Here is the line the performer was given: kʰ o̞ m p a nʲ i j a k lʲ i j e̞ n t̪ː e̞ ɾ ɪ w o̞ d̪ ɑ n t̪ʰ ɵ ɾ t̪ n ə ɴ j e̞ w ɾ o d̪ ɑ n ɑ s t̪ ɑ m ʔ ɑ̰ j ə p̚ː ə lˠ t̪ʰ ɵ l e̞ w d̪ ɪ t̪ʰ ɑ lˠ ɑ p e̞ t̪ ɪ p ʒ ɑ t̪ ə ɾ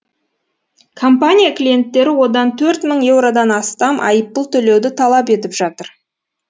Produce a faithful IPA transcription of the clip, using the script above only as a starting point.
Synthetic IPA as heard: kʰ o̞ m p a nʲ i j a k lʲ i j e̞ n t̪ː e̞ ɾ ɪ w o̞ d̪ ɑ n t̪ʰ ɵ ɾ t̪ m ə ɴ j e̞ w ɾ o d̪ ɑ n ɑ s t̪ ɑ m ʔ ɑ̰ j ə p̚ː ə lˠ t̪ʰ ɵ l e̞ w d̪ ɪ t̪ʰ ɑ lˠ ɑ p e̞ t̪ ɪ p ʒ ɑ t̪ ə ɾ